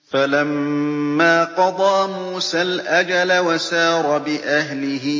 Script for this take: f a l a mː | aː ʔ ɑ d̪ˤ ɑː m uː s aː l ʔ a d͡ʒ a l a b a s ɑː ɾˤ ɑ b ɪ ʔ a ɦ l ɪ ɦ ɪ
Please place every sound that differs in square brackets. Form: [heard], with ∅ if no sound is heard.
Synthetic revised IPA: f a l a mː | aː [q] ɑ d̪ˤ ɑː m uː s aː l ʔ a d͡ʒ a l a [w] a s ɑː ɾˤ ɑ b ɪ ʔ a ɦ l ɪ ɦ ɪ